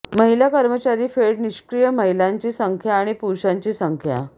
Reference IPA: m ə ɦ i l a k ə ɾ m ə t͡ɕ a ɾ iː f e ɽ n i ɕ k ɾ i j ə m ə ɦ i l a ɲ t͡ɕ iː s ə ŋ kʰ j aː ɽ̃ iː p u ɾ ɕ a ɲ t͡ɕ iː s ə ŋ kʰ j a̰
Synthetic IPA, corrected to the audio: m ə ɦ i l a k ə ɾ m ə t͡ɕ a ɾ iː f e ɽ n i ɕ k ɾ i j ə m ə ɦ i l a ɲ t͡ɕ iː s ə ŋ kʰ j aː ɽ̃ i p u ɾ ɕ a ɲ t͡ɕ iː s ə ŋ kʰ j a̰